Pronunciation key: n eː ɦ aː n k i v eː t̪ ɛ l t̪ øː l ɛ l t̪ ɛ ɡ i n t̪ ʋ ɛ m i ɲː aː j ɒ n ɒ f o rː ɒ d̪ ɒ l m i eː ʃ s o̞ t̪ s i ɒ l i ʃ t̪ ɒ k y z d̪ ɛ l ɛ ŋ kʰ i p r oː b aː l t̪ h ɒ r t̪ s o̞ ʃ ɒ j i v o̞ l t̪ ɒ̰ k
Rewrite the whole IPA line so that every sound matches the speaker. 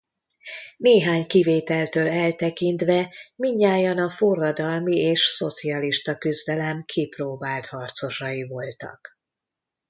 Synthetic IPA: n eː ɦ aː ɲ k i v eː t̪ ɛ l t̪ øː l ɛ l t̪ ɛ k i n t̪ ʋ ɛ m i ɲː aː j ɒ n ɒ f o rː ɒ d̪ ɒ l m i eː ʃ s o̞ t̪ s i ɒ l i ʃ t̪ ɒ k y z d̪ ɛ l ɛ m kʰ i p r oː b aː l t̪ h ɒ r t̪ s o̞ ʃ ɒ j i v o̞ l t̪ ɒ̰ k